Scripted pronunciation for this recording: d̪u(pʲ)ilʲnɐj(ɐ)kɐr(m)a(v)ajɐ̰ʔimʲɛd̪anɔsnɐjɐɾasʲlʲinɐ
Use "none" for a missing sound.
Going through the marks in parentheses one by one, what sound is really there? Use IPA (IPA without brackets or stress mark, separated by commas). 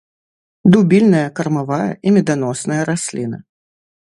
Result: bʲ, ɐ, m, v